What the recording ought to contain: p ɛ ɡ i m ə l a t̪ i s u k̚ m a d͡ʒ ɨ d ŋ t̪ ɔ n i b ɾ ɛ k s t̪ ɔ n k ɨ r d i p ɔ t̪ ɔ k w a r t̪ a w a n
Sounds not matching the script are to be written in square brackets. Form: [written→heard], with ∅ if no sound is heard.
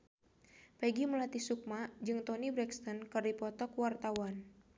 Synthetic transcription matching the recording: p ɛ ɡ i m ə l a t̪ i s u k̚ m a d͡ʒ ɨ [d→∅] ŋ t̪ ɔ n i b ɾ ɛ k s t̪ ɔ n k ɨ r d i p ɔ t̪ ɔ k w a r t̪ a w a n

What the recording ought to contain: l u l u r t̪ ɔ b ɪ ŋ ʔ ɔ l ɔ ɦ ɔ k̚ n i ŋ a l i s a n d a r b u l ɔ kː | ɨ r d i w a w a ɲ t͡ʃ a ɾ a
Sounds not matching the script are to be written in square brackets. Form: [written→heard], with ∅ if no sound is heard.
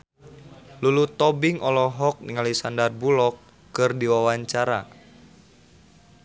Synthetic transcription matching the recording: l u l u [r→∅] t̪ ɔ b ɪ ŋ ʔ ɔ l ɔ ɦ ɔ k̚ n i ŋ a l i s a n d a r b u l ɔ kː | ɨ r d i w a w a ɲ t͡ʃ a ɾ a

